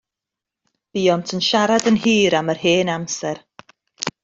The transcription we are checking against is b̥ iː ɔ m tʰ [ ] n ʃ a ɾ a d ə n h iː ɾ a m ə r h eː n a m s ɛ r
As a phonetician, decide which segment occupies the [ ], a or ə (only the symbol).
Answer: ə